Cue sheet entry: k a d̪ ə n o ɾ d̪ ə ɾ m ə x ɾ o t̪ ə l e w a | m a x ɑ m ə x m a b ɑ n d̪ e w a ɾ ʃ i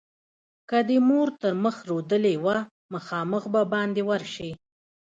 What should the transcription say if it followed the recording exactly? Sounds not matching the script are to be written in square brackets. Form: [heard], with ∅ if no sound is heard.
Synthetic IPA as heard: k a d̪ ə [m] o ɾ [t̪] ə ɾ m ə x ɾ o [d̪] ə l e w a | m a x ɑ m ə x [b] a b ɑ n d̪ e w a ɾ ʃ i

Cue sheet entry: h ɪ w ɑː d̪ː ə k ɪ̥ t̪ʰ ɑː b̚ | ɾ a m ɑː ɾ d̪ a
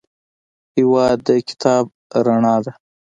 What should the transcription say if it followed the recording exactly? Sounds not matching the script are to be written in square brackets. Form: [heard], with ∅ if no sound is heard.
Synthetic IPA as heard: h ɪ w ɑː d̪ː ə k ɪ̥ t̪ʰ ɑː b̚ | ɾ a [ɳ] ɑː [∅] d̪ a

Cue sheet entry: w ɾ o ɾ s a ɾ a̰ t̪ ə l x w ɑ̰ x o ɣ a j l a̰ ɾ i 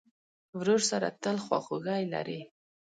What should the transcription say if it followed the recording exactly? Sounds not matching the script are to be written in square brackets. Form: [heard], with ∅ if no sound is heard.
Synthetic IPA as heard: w ɾ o ɾ s a ɾ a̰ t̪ ə l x w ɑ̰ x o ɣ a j l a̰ ɾ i

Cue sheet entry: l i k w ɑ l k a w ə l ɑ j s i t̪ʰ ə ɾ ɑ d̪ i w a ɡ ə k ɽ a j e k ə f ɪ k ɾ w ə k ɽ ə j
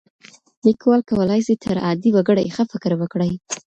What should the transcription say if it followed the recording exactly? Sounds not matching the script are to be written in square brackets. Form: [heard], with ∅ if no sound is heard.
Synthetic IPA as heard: l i k w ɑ l k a w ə l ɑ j s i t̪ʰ ə ɾ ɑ d̪ i w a ɡ ə [∅] ɽ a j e [x] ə f ɪ k ɾ w ə k ɽ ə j

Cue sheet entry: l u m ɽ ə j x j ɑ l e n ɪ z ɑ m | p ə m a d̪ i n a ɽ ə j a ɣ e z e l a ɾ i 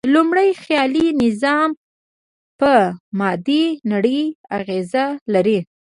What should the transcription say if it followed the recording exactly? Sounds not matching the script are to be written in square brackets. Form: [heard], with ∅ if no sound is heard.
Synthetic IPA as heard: l u m ɽ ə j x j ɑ l [i] n ɪ z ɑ m | p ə m [ɑ] d̪ i n a ɽ ə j a ɣ e z [a] l a ɾ i

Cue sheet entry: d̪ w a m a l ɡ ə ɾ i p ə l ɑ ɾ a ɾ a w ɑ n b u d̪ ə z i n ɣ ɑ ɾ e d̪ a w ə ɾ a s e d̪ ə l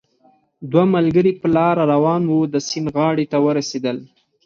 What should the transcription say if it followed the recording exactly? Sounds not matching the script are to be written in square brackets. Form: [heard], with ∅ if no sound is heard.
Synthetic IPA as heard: d̪ w a m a l ɡ ə ɾ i p ə l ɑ ɾ a ɾ a w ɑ n [w] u d̪ ə [s] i n ɣ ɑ [ɽ] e [t̪] a w ə ɾ a s e d̪ ə l

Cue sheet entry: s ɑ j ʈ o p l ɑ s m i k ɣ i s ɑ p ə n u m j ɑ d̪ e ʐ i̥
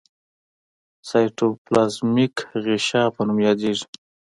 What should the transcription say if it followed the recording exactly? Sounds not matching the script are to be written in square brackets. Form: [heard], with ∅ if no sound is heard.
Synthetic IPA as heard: s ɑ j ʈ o p l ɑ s m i k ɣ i [ʃ] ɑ p ə n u m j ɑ d̪ e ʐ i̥

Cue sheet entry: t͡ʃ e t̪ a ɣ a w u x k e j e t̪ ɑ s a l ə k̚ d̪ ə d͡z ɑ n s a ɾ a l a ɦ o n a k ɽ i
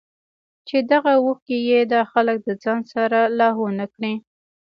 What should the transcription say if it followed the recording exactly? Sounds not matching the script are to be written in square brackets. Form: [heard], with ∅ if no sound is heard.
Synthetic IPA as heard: t͡ʃ e [d̪] a ɣ a w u x k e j e [d̪] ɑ [x] a l ə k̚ d̪ ə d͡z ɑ n s a ɾ a l [ɑ] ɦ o n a k ɽ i

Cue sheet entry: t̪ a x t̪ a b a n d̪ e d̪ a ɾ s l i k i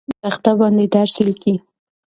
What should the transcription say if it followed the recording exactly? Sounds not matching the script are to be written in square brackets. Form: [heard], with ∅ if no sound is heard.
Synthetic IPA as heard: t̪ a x t̪ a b [ɑ] n d̪ e d̪ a ɾ s l i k i

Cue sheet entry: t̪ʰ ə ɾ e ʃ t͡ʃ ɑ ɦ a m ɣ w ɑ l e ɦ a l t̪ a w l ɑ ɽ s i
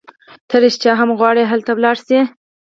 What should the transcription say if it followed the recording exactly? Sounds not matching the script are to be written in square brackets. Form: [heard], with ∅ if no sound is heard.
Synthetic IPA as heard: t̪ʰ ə ɾ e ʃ t͡ʃ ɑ ɦ a m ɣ w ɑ [ɽ] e ɦ a l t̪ a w l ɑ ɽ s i

